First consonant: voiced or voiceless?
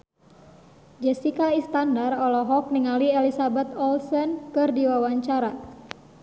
voiced